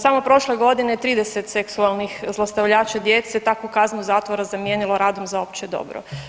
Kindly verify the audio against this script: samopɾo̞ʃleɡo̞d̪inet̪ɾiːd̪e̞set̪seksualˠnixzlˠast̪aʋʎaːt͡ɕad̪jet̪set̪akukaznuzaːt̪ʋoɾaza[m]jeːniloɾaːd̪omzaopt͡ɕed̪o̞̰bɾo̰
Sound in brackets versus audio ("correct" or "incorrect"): correct